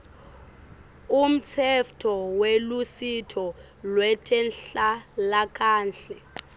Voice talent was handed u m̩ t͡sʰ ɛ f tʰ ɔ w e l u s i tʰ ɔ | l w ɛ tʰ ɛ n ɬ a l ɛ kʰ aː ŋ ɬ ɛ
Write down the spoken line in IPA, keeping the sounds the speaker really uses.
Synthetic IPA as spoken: u m̩ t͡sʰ ɛ f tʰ ɔ w e l u s i tʰ ɔ | l w ɛ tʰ ɛ n ɬ a l a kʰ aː n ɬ ɛ